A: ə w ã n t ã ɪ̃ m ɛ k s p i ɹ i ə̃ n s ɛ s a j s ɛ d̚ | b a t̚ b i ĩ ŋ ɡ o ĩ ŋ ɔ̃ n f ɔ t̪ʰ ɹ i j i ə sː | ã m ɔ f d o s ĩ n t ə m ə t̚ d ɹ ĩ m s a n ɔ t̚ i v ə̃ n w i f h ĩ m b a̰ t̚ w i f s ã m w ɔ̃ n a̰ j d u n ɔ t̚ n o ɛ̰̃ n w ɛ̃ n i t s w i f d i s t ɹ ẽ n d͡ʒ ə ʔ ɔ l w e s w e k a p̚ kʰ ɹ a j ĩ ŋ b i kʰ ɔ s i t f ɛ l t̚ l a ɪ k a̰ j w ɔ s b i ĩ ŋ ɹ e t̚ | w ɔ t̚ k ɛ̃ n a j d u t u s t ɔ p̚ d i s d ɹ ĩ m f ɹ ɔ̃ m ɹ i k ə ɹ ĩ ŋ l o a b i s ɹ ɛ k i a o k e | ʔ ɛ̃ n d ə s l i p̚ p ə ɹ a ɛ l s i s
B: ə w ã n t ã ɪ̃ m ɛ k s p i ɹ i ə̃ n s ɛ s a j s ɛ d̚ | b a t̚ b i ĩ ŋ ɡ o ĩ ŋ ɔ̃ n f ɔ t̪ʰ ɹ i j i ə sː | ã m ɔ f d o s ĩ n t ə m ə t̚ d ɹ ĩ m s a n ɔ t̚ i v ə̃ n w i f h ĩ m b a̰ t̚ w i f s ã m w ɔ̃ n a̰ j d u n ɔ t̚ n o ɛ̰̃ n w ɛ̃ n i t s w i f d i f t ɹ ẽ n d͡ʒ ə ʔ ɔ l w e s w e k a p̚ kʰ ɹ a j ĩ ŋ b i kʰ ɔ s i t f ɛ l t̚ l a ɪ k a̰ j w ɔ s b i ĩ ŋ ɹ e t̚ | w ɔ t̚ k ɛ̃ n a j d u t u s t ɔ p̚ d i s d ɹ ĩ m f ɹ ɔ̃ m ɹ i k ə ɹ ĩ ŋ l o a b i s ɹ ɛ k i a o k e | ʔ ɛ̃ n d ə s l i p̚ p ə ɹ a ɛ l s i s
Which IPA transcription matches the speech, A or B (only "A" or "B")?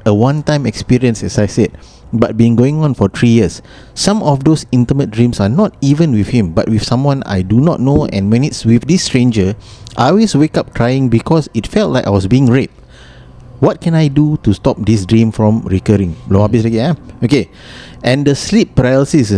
A